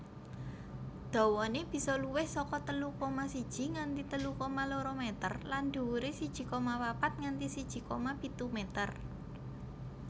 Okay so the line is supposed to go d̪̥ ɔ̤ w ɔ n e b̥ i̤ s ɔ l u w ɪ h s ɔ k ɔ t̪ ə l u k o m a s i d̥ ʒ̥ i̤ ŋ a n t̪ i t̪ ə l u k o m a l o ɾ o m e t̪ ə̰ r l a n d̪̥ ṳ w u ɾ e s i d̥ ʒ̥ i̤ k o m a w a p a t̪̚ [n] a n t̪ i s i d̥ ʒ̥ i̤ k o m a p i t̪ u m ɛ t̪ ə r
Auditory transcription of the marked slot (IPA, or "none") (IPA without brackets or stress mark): ŋ